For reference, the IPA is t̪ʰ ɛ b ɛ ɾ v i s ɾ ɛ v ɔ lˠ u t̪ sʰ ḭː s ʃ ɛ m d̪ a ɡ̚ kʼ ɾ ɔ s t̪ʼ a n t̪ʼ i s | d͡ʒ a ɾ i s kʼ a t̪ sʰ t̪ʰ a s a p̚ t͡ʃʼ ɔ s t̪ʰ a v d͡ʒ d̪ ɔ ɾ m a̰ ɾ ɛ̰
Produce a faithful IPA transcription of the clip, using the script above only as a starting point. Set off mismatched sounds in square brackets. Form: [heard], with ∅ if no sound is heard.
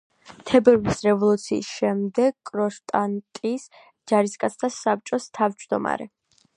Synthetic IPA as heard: t̪ʰ ɛ b ɛ ɾ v i s ɾ ɛ v ɔ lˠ u t̪ sʰ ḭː s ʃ ɛ m d̪ [ɛ] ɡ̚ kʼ ɾ ɔ [ʃ] t̪ʼ a n t̪ʼ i s | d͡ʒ a ɾ i s kʼ a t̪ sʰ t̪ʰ a s a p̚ t͡ʃʼ ɔ s t̪ʰ a v d͡ʒ d̪ ɔ [∅] m a̰ ɾ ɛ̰